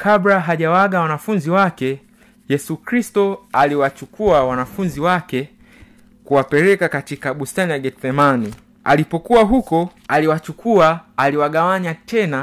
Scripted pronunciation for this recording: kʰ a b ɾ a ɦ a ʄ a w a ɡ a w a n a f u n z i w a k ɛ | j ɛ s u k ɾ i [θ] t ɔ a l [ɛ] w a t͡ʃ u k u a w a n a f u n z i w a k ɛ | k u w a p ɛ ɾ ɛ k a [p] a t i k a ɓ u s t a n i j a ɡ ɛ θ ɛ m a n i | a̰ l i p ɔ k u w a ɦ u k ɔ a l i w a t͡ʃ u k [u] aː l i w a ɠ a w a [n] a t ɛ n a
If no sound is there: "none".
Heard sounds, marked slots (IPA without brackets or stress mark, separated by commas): s, i, k, u, ɲ